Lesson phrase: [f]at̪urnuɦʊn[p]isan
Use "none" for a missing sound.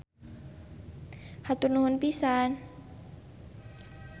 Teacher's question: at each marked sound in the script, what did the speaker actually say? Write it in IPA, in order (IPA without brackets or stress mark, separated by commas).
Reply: h, p